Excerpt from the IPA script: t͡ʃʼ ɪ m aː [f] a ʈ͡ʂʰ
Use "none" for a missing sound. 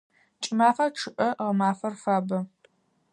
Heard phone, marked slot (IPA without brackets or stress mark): f